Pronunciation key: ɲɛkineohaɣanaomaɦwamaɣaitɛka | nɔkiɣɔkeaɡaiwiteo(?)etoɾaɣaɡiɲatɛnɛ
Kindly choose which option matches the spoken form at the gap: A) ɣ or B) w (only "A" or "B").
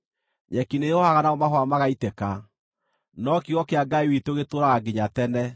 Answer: A